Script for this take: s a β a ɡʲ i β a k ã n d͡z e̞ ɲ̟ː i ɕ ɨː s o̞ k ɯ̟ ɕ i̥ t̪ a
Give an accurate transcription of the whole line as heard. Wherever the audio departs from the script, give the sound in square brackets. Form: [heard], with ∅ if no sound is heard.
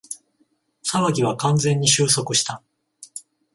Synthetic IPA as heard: s a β a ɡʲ i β a k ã n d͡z [ẽ̞] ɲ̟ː i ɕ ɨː s o̞ k ɯ̟ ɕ i̥ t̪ a

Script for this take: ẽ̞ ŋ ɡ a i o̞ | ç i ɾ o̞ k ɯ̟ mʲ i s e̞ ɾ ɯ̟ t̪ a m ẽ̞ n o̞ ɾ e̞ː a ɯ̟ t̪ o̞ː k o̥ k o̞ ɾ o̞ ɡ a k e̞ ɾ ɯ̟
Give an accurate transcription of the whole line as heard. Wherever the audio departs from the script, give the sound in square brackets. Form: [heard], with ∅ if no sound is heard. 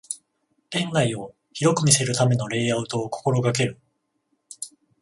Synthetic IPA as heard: ẽ̞ ŋ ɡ a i o̞ | ç i ɾ o̞ k ɯ̟ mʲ i s e̞ ɾ ɯ̟ t̪ a m [e̞] n o̞ ɾ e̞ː a ɯ̟ t̪ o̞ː k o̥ k o̞ ɾ o̞ ɡ a k e̞ ɾ ɯ̟

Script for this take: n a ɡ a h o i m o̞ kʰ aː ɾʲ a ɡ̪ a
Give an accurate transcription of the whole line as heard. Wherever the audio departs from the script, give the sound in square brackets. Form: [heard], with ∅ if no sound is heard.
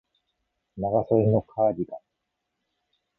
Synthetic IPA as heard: n a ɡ a [s] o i [n] o̞ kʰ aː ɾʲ [i] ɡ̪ a

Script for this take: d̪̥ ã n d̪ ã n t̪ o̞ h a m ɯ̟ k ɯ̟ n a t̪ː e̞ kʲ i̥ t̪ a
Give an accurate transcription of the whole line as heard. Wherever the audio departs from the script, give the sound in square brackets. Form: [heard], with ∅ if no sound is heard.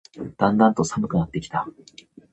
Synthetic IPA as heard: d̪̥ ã n d̪ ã n t̪ o̞ [s] a m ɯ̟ k ɯ̟ n a t̪ː e̞ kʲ i̥ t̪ a

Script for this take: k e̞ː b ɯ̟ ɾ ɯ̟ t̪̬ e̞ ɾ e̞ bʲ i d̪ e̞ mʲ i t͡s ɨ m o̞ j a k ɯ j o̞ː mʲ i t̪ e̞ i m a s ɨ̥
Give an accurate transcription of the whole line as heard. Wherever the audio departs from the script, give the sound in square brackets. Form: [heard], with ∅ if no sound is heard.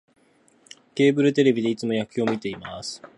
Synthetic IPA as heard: k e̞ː b ɯ̟ ɾ ɯ̟ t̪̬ e̞ ɾ e̞ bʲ i d̪ e̞ [∅] i t͡s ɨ m o̞ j a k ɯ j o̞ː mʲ i t̪ e̞ i m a s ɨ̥

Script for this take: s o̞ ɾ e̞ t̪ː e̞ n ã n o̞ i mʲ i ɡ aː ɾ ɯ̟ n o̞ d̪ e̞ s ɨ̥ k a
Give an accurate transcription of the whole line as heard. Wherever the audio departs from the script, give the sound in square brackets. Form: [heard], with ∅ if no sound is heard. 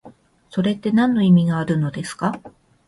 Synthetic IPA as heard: s o̞ ɾ e̞ t̪ː e̞ n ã [nː] o̞ i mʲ i ɡ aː ɾ ɯ̟ n o̞ d̪ e̞ s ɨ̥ k a

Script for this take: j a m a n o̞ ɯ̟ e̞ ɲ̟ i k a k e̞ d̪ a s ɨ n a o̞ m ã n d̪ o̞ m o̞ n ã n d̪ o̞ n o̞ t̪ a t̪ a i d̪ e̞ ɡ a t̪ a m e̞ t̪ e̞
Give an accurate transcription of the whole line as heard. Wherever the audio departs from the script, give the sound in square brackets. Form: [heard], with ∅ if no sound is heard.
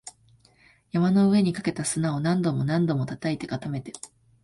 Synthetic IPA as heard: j a m a n o̞ ɯ̟ e̞ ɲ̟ i k a k e̞ [t̪] a s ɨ n a o̞ [n] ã n d̪ o̞ m o̞ n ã n d̪ o̞ [m] o̞ t̪ a t̪ a i [t̪] e̞ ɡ a t̪ a m e̞ t̪ e̞

